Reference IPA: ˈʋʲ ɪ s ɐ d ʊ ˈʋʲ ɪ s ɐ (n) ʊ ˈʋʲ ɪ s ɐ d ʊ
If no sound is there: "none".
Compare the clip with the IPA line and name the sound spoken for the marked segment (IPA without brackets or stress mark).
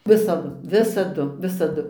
d